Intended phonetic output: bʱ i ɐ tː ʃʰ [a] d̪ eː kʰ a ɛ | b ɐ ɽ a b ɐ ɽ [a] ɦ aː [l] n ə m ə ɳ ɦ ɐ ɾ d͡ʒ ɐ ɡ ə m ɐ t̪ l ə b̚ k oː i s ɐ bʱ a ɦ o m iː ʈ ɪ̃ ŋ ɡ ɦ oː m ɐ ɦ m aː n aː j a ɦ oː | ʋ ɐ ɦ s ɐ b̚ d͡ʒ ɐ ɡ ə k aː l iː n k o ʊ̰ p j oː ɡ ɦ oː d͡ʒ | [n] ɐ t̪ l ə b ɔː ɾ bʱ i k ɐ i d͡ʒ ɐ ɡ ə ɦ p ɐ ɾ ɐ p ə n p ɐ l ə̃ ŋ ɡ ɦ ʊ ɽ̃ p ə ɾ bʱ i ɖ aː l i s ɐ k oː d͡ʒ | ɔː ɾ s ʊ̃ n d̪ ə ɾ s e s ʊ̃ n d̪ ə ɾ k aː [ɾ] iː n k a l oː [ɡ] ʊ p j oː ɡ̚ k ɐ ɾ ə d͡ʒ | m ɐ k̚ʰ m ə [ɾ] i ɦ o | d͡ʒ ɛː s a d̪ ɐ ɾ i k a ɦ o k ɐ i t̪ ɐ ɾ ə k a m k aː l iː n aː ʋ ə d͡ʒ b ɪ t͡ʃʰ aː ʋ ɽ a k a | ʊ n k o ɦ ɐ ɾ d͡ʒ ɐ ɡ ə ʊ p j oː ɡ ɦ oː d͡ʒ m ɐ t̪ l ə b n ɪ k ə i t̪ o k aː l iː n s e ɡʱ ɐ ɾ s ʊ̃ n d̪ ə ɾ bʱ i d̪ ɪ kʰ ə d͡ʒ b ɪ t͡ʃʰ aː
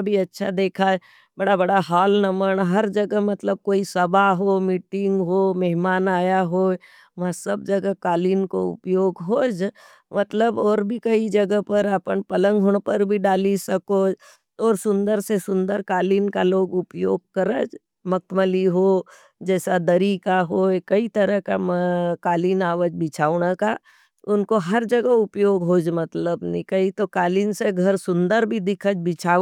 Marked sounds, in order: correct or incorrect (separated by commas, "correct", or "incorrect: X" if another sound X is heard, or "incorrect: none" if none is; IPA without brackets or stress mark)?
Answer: correct, correct, correct, incorrect: m, incorrect: l, correct, incorrect: l